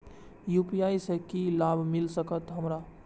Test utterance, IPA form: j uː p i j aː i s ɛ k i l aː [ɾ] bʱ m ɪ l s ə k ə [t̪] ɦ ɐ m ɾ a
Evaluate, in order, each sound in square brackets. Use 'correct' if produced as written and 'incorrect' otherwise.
incorrect: none, correct

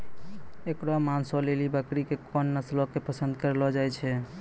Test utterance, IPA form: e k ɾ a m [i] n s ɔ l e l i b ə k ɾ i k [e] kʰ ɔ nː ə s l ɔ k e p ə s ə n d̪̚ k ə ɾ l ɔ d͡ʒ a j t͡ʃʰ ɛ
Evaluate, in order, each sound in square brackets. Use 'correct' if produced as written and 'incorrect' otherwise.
incorrect: a, correct

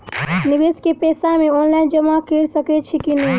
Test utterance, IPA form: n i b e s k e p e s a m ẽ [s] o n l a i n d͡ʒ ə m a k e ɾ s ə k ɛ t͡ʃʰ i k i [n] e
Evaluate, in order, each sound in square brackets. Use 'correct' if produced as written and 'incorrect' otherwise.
incorrect: none, correct

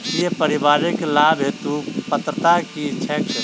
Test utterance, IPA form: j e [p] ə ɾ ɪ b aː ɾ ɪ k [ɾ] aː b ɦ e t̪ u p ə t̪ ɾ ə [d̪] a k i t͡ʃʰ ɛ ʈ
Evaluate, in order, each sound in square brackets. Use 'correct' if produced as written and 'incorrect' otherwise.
correct, incorrect: l, incorrect: t̪

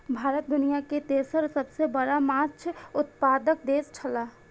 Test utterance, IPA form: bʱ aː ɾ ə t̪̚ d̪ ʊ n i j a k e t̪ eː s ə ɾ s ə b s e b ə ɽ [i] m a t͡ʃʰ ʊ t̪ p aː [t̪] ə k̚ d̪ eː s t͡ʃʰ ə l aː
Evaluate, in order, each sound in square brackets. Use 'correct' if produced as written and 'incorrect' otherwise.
incorrect: a, incorrect: d̪

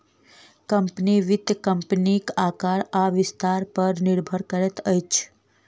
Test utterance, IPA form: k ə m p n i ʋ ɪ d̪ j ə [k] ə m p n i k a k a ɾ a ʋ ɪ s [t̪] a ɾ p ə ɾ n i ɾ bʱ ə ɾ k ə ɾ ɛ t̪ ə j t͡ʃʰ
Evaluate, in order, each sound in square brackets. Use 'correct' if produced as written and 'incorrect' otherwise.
correct, correct

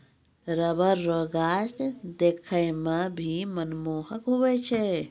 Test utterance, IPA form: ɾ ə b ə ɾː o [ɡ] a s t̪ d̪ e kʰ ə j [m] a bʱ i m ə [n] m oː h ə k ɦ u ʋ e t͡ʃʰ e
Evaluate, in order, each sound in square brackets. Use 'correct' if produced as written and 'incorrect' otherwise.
correct, correct, correct

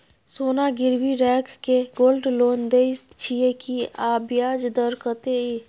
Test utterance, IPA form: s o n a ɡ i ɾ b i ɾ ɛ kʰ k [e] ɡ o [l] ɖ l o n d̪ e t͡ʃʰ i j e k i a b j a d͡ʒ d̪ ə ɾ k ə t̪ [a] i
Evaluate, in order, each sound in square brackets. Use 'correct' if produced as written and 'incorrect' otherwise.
correct, correct, incorrect: e

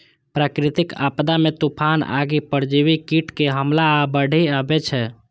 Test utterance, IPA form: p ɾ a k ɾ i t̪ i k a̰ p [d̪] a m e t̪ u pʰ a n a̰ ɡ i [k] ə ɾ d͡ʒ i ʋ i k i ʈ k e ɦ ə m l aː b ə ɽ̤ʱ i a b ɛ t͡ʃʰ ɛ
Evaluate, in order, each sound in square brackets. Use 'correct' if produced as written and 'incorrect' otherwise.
correct, incorrect: p

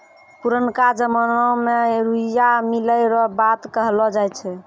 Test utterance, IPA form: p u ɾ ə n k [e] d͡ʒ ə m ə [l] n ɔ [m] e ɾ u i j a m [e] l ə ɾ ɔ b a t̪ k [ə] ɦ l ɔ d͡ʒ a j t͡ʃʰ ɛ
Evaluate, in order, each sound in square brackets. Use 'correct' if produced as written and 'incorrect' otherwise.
incorrect: a, incorrect: none, correct, incorrect: i, correct

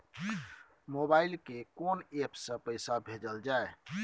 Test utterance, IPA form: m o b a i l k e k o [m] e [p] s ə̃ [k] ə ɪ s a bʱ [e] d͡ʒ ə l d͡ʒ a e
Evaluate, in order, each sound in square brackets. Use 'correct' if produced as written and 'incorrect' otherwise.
incorrect: n, correct, incorrect: p, correct

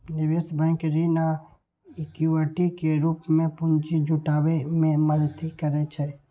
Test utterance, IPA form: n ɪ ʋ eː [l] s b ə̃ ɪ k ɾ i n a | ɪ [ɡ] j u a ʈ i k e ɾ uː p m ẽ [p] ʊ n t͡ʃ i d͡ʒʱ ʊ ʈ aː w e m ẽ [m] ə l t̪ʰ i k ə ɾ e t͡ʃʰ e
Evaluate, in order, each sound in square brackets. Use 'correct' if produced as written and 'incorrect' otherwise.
incorrect: none, incorrect: k, correct, correct

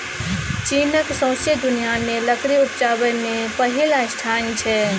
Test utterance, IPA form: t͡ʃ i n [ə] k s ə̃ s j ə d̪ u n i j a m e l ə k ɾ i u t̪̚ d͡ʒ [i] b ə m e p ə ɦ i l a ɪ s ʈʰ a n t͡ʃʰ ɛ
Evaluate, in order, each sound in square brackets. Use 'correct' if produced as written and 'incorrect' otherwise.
correct, incorrect: a

